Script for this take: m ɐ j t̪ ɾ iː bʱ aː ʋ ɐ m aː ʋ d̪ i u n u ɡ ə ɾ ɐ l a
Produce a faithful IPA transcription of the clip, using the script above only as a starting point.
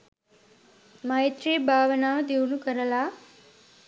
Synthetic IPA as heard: m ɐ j t̪ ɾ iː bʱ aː ʋ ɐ n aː ʋ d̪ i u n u k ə ɾ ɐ l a